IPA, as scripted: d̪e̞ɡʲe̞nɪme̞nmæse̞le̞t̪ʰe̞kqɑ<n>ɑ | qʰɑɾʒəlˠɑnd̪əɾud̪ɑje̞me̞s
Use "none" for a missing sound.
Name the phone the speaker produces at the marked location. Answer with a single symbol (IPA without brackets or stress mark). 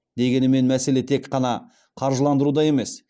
n